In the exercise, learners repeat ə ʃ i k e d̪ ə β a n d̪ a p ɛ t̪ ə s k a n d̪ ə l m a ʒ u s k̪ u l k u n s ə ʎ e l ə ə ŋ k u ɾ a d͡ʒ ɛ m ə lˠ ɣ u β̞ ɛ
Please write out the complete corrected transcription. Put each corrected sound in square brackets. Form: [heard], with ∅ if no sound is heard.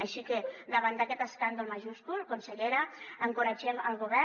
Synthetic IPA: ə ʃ i k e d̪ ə β a n d̪ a [k] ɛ t̪ ə s k a n d̪ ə l m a ʒ u s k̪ u l k u n s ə ʎ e [ɾ] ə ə ŋ k u ɾ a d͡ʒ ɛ m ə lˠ ɣ u β̞ ɛ

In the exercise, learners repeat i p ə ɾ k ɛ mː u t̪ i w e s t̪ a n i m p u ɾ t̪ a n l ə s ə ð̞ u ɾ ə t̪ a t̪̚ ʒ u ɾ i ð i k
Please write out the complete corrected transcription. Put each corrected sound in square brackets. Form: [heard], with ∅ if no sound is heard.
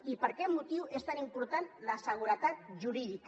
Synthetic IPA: i p ə ɾ k ɛ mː u t̪ i w e s t̪ a n i m p u ɾ t̪ a n l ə s ə [ɣ̞] u ɾ ə t̪ a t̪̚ ʒ u ɾ i ð i k

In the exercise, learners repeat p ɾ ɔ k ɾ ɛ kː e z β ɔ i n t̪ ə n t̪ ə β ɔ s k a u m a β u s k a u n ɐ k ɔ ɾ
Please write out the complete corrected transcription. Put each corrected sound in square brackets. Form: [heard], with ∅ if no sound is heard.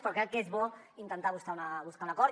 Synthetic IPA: p ɾ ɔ k ɾ ɛ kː e z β ɔ i n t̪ ə n t̪ [a] β [u] s k a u [n] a β u s k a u n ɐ k ɔ ɾ

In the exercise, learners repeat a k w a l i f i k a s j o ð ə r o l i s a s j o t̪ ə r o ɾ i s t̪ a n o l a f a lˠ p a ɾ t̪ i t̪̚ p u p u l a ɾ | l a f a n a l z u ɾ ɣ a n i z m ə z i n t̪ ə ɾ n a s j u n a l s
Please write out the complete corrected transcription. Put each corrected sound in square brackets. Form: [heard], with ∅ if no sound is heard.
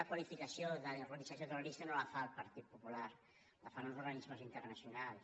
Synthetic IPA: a k w a l i f i k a s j o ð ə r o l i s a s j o t̪ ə r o ɾ i s t̪ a n o l a f a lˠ p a ɾ t̪ i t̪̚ p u p u l a ɾ | l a f a n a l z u ɾ ɣ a n i z m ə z i n t̪ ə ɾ n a s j u n a l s

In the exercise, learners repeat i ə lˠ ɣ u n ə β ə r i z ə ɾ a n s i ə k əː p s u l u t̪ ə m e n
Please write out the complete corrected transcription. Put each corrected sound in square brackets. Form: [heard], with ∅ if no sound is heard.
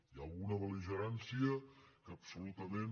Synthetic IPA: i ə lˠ ɣ u n ə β ə [l] i [ʒ] ə ɾ a n s i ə k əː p s u l u t̪ ə m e n

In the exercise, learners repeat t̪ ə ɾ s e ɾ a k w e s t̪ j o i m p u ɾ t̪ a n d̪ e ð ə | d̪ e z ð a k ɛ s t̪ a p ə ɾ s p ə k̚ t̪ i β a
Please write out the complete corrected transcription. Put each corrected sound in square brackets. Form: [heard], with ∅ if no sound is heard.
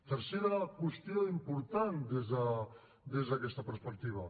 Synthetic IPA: t̪ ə ɾ s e ɾ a k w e s t̪ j o i m p u ɾ t̪ a n d̪ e [z] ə | d̪ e z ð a k ɛ s t̪ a p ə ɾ s p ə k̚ t̪ i β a

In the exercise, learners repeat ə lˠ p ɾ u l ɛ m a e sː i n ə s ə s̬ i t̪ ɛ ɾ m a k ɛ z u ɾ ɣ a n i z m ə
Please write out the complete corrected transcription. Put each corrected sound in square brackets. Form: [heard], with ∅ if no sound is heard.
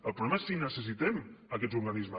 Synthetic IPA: ə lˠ p ɾ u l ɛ m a e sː i n ə s ə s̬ i t̪ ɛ [∅] m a k ɛ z u ɾ ɣ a n i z m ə

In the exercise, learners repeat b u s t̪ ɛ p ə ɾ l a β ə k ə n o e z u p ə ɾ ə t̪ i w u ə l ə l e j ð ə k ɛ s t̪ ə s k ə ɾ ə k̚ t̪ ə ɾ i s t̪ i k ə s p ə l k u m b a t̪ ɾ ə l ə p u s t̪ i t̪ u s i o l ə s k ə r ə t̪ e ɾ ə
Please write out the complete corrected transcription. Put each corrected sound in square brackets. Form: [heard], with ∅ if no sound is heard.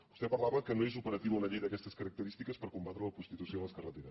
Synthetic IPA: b u s t̪ ɛ p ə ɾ l a β ə k ə n o e z u p ə ɾ ə t̪ i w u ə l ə [ʎ] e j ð ə k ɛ s t̪ ə s k ə ɾ ə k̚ t̪ ə ɾ i s t̪ i k ə s p ə [ɾ] k u m b a t̪ ɾ ə l ə p u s t̪ i t̪ u s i o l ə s k ə r ə t̪ e ɾ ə

